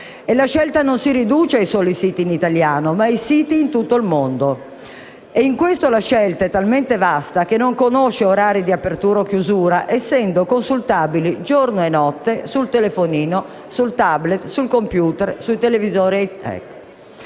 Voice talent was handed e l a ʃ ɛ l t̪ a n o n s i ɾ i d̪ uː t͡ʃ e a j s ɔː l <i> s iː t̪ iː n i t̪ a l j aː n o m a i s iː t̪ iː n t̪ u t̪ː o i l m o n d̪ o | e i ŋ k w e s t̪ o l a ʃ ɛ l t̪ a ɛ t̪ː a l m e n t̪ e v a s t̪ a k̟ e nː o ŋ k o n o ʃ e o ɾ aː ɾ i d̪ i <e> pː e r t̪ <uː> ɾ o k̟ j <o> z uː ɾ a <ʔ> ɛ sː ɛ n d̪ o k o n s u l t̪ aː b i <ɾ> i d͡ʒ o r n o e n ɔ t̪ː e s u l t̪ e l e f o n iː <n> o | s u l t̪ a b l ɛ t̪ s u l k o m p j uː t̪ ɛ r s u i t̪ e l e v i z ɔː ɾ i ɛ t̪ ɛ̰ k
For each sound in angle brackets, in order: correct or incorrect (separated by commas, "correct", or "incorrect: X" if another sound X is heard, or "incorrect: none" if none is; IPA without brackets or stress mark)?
correct, incorrect: a, correct, incorrect: u, correct, incorrect: l, correct